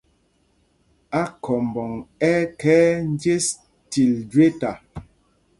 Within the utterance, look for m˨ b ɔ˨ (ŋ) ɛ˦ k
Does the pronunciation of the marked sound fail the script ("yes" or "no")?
no